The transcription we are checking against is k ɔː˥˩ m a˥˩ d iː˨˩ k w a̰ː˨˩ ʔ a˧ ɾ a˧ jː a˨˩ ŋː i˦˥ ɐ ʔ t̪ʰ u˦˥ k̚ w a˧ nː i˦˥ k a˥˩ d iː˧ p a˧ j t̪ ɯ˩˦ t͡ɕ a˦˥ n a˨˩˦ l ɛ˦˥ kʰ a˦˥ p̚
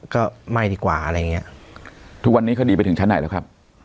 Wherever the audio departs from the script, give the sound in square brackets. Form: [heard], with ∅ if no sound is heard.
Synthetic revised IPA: k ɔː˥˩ m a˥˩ d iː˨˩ k w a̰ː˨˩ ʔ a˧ ɾ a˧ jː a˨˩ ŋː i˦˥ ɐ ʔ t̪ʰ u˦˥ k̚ w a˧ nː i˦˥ k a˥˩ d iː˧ p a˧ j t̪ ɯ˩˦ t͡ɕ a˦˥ n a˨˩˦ l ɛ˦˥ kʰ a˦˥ p̚